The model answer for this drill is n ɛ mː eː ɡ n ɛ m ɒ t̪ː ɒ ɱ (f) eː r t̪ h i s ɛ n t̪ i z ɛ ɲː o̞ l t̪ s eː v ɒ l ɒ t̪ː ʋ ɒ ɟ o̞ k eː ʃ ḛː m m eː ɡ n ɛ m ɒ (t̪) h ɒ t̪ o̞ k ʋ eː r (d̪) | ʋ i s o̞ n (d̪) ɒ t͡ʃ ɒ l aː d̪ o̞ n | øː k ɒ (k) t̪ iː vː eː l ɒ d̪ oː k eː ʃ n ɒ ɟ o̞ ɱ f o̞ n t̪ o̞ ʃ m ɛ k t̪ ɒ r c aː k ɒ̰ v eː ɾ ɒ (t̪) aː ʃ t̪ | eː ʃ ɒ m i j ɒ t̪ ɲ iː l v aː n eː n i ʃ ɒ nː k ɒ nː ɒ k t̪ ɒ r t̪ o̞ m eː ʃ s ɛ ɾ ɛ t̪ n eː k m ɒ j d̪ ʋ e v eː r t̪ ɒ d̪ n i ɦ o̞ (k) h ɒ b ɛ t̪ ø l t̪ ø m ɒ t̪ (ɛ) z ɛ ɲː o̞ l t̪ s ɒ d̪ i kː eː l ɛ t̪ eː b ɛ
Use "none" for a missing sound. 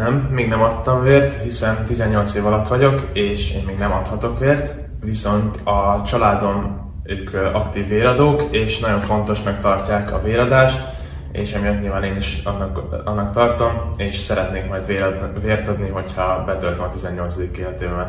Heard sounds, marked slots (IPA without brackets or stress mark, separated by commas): v, t̪, t̪, t̪, k, d̪, c, i